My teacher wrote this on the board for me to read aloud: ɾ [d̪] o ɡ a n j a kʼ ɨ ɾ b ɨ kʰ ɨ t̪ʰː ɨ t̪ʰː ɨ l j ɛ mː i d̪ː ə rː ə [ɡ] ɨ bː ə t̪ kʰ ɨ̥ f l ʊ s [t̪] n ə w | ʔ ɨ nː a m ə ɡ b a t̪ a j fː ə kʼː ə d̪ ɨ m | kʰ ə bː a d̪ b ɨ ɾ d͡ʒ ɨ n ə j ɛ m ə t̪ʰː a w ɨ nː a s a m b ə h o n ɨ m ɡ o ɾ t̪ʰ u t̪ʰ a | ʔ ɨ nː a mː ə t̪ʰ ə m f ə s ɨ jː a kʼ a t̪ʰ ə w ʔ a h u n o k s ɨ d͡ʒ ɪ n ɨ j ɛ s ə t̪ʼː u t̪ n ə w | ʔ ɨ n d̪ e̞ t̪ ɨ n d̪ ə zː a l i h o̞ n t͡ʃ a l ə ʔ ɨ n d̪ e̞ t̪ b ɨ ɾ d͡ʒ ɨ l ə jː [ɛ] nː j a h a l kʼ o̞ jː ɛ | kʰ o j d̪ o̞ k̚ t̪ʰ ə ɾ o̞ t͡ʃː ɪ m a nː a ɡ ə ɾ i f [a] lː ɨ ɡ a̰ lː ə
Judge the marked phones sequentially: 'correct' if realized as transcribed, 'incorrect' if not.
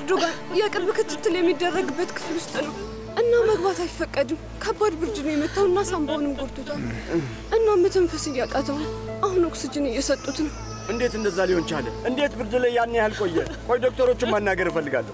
correct, correct, incorrect, incorrect, incorrect

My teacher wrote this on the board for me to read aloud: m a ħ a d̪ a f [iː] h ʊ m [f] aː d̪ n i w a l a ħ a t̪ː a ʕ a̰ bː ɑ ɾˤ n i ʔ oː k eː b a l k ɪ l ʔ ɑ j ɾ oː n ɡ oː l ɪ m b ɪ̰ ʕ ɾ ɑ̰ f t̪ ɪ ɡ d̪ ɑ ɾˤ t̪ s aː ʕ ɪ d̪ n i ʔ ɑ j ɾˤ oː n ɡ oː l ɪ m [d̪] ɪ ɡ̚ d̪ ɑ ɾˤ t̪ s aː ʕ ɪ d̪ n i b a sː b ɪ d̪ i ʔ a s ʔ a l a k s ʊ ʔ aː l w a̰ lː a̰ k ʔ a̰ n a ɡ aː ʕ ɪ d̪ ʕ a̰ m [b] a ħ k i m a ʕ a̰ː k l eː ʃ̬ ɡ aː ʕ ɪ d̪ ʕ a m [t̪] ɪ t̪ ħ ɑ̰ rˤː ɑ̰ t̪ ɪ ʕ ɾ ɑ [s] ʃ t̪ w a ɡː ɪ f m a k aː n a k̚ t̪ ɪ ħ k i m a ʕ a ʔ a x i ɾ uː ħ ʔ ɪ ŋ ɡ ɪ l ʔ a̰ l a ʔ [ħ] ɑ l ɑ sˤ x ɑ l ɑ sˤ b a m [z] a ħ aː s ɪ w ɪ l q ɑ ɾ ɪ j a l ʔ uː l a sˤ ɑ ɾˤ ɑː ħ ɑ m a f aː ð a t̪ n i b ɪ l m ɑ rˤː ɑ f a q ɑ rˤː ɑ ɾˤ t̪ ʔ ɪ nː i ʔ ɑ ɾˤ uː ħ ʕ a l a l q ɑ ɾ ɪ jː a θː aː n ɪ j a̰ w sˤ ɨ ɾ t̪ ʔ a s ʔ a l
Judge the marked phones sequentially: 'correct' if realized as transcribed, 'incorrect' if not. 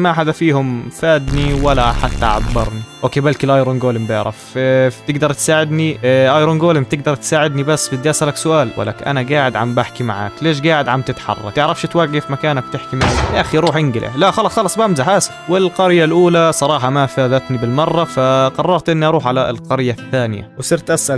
correct, correct, incorrect, correct, correct, incorrect, incorrect, correct

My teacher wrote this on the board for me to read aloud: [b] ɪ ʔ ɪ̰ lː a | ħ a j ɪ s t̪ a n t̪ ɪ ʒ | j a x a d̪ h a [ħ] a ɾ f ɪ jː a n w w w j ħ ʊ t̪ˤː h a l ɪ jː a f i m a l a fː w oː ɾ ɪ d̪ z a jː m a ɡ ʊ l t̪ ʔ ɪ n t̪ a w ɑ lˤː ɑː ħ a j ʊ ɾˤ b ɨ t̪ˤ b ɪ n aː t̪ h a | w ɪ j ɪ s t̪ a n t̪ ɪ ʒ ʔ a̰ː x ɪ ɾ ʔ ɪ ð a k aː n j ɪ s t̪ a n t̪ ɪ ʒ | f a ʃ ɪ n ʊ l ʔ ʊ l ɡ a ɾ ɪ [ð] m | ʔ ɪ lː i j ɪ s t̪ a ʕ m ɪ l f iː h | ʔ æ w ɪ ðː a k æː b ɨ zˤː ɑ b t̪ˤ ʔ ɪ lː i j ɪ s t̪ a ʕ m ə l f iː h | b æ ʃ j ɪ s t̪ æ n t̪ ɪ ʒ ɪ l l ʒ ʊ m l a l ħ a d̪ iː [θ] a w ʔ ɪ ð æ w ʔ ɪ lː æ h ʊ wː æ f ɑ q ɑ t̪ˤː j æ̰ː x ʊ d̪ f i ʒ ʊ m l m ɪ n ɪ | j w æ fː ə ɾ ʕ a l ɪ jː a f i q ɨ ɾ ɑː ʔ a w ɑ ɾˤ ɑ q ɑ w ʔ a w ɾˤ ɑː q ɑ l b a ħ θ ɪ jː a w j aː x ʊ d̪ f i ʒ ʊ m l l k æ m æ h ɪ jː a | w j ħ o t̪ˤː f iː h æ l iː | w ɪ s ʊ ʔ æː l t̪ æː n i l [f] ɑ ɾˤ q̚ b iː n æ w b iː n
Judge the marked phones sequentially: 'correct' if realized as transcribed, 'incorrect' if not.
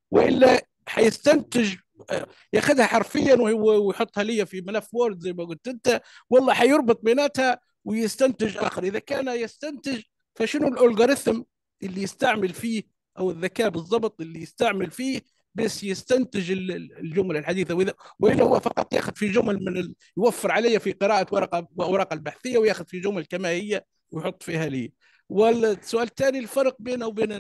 incorrect, correct, incorrect, correct, correct

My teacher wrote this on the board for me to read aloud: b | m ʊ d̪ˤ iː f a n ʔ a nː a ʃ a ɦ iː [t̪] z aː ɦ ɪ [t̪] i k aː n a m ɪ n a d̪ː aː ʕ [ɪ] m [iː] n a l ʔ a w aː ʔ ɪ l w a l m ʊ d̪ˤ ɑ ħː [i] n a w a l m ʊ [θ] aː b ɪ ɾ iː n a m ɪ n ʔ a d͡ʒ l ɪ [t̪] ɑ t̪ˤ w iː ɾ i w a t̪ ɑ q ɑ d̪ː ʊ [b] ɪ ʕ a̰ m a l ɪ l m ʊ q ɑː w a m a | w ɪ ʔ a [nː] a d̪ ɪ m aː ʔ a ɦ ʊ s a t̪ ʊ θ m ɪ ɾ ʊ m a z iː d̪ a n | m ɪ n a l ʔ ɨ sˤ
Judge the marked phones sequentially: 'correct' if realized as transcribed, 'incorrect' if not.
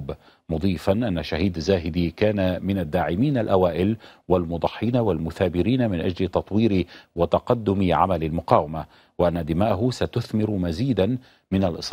incorrect, incorrect, correct, correct, incorrect, correct, correct, incorrect, correct

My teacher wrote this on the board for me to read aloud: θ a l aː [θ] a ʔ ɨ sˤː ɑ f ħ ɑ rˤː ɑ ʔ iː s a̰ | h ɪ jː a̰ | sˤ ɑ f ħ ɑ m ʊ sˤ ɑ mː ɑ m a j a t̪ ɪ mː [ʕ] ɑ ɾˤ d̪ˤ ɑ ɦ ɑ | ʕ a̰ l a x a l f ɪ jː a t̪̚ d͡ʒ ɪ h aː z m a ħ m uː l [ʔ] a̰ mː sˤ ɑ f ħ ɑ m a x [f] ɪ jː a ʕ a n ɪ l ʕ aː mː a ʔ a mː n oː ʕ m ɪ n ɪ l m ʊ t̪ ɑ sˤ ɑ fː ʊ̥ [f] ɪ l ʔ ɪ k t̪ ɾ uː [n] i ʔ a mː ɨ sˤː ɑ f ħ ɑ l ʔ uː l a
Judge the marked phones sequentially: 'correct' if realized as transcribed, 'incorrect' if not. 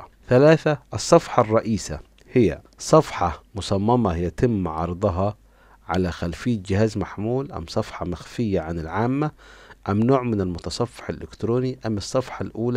correct, correct, correct, correct, incorrect, correct

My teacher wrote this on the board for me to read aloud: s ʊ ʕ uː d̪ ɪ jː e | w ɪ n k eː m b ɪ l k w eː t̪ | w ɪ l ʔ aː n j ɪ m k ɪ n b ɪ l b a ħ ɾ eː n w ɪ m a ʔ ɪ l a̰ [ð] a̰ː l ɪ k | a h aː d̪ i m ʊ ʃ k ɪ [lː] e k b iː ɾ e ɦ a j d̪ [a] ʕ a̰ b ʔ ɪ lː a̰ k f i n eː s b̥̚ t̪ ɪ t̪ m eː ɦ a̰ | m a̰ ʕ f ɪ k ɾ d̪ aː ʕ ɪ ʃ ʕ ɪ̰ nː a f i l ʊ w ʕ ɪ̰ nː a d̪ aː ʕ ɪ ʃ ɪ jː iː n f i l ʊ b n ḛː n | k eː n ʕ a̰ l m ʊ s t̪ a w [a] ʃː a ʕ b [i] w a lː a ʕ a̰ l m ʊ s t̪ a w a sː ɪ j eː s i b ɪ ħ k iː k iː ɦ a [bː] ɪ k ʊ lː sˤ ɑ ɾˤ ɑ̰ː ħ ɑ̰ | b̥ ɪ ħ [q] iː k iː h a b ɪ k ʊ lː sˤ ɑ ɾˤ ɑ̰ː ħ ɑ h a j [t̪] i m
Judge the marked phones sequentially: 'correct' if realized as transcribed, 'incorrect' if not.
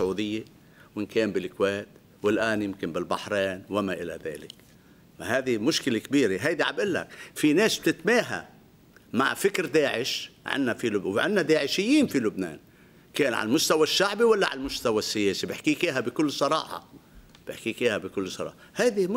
correct, incorrect, incorrect, correct, correct, incorrect, incorrect, incorrect

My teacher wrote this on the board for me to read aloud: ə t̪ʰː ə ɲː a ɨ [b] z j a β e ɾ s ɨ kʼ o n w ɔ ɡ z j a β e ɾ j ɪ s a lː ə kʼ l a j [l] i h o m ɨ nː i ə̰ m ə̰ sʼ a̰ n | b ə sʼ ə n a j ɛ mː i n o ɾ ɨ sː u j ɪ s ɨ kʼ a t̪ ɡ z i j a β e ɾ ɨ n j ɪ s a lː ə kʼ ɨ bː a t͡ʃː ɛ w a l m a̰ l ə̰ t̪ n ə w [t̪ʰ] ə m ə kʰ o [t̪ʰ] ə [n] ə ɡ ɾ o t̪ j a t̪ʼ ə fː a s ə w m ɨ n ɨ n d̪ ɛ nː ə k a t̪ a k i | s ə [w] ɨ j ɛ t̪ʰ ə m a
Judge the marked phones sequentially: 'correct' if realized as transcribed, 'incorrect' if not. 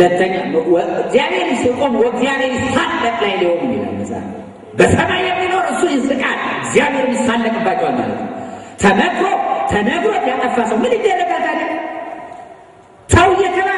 incorrect, correct, correct, correct, correct, correct

